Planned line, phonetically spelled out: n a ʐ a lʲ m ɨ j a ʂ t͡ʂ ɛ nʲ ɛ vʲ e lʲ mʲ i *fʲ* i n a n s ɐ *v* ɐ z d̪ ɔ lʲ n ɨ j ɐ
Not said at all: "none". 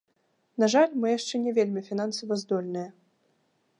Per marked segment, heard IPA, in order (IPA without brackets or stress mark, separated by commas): fʲ, v